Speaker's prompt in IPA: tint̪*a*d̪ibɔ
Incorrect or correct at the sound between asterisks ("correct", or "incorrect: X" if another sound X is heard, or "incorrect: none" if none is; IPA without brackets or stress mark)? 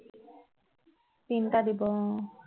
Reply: correct